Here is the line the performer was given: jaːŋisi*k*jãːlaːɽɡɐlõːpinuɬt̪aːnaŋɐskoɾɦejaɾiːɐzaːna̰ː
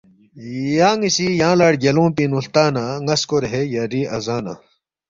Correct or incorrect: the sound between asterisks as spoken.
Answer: incorrect: none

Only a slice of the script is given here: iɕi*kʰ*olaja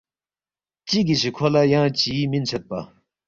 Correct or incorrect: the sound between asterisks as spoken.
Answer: correct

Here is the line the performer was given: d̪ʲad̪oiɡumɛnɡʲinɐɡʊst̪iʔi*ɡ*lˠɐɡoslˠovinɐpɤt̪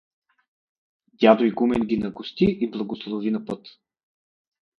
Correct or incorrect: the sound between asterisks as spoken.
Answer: incorrect: b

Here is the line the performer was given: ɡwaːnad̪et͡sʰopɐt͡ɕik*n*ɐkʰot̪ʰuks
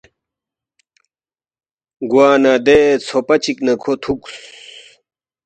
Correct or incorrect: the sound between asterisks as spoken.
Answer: correct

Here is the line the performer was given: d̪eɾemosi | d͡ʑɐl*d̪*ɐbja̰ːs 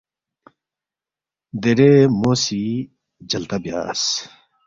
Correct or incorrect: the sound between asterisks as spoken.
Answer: incorrect: t̪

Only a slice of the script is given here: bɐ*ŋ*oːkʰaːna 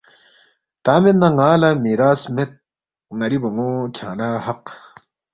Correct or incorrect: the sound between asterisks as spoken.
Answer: correct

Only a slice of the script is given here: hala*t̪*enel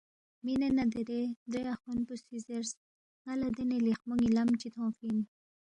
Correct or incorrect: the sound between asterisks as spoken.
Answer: incorrect: d̪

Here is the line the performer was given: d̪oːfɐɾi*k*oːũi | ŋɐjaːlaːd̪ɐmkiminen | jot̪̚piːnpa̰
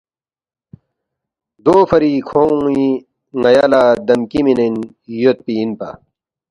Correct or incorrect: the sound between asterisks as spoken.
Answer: incorrect: kʰ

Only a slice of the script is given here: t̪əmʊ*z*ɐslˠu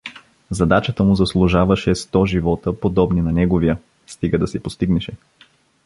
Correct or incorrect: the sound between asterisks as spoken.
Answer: correct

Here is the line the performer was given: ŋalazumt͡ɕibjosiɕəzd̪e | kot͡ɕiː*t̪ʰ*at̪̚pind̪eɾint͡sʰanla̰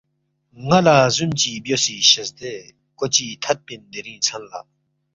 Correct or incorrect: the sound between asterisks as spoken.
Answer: correct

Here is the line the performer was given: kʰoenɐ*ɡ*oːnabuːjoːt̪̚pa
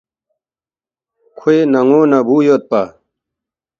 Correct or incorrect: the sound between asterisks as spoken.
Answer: incorrect: ŋ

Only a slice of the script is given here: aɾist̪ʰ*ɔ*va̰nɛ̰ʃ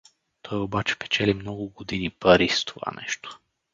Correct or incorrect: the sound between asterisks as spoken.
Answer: incorrect: o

